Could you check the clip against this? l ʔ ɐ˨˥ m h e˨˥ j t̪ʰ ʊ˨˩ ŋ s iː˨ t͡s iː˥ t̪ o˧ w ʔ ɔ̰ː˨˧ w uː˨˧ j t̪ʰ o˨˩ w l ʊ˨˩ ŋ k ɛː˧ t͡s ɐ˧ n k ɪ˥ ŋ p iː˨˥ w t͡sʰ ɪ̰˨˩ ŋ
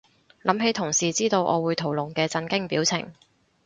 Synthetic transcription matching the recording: l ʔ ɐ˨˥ m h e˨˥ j t̪ʰ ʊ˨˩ ŋ s iː˨ t͡s iː˥ t̪ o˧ w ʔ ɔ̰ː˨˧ w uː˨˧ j t̪ʰ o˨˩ w l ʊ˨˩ ŋ k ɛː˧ t͡s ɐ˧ n k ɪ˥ ŋ p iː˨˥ w t͡sʰ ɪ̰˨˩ ŋ